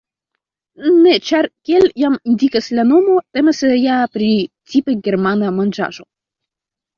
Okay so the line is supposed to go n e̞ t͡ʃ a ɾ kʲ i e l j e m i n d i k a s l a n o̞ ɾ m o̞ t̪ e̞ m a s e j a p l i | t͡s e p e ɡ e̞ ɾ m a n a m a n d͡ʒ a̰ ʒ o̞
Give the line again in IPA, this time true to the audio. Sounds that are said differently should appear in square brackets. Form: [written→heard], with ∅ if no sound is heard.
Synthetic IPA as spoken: n e̞ t͡ʃ a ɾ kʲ i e l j [e→a] m i n d i k a s l a n o̞ [ɾ→∅] m o̞ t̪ e̞ m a s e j a p [l→ɾ] i | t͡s [e→i] p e ɡ e̞ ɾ m a n a m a n d͡ʒ a̰ ʒ o̞